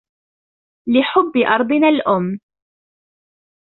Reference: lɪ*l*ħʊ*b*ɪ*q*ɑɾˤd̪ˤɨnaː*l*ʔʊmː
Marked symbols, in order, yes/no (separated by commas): no, no, no, yes